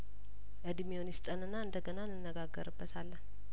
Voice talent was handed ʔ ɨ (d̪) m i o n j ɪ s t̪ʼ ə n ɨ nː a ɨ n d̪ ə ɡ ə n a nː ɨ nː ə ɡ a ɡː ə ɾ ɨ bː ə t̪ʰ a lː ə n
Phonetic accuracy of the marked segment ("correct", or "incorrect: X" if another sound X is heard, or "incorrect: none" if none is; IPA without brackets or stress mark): correct